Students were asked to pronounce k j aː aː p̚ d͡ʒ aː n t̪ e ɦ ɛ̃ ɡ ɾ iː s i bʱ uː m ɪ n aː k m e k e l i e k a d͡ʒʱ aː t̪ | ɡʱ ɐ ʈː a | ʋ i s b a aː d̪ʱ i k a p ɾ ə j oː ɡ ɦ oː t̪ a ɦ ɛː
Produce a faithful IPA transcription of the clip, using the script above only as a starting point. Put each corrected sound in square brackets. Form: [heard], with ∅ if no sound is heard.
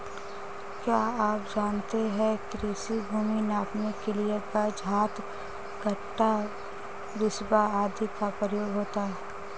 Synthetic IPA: k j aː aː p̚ d͡ʒ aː n t̪ e ɦ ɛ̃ [k] ɾ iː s i bʱ uː m [i] n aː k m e k e l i e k a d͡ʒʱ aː t̪ | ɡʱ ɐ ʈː a | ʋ [ɪ] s b a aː d̪ʱ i k a p ɾ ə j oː ɡ ɦ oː t̪ a ɦ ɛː